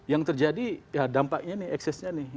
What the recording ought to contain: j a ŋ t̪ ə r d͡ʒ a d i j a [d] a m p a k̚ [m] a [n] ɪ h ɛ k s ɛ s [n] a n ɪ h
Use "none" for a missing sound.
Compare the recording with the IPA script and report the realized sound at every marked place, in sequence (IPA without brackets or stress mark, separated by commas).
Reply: d, ɲ, n, ɲ